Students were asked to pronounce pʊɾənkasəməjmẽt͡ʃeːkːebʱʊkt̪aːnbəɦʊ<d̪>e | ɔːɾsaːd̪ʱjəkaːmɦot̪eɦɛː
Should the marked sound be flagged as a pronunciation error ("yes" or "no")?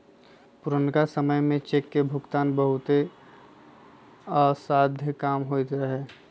yes